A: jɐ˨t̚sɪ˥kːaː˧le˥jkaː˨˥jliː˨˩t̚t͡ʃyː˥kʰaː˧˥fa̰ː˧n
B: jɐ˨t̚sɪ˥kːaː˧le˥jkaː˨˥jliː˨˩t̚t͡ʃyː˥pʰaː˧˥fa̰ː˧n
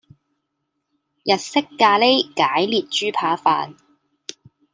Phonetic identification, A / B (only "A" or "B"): B